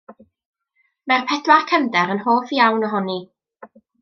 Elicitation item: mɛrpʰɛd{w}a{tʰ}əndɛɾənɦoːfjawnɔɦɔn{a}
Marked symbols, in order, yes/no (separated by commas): yes, no, no